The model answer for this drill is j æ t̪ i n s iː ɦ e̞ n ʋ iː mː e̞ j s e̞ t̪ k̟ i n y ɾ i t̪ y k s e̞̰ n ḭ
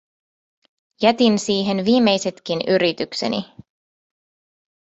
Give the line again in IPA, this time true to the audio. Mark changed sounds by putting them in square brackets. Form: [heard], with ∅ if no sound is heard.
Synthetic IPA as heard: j æ t̪ i n s iː ɦ e̞ n ʋ iː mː e̞ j s e̞ t̪ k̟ i n y ɾ i t̪ y k s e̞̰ n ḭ